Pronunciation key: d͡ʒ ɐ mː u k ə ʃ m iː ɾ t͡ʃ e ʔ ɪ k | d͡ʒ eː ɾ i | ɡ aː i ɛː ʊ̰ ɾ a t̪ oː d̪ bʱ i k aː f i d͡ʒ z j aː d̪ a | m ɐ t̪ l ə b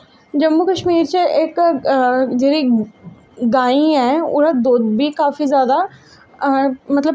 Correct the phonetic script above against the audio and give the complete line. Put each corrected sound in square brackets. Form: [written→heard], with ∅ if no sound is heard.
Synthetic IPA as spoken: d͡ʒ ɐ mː u k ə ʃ m iː ɾ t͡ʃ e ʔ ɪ k | d͡ʒ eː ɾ i | ɡ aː i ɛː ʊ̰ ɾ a [t̪→d̪] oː d̪ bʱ i k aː f i [d͡ʒ→∅] z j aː d̪ a | m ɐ t̪ l ə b